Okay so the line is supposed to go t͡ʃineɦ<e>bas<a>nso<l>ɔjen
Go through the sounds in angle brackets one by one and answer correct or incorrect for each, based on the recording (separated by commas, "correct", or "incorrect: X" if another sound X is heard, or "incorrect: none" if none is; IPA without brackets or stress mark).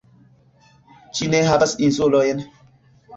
incorrect: a, incorrect: i, correct